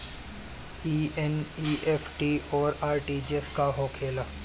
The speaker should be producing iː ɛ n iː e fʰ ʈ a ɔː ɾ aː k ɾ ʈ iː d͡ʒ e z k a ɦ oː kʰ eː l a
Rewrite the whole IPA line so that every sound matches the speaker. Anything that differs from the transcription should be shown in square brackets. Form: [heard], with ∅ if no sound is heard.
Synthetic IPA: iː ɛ n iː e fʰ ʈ [i] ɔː ɾ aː [∅] ɾ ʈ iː d͡ʒ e [s] k a ɦ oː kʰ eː l a